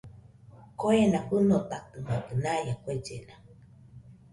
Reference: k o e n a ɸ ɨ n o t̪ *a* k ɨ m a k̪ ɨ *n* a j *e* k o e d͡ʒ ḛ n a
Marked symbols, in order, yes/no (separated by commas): yes, yes, no